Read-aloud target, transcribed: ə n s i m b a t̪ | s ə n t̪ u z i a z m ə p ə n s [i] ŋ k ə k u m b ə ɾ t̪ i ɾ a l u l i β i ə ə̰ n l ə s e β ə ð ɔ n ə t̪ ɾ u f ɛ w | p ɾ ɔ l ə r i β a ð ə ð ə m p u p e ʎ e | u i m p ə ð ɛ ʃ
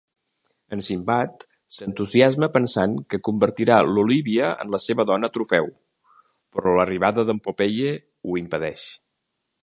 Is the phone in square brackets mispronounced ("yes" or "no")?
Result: yes